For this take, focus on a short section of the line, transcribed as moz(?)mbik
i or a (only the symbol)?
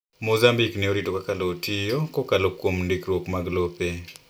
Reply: a